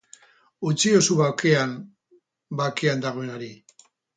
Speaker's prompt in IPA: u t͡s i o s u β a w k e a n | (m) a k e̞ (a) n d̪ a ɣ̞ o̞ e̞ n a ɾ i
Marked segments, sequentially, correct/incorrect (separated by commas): incorrect, correct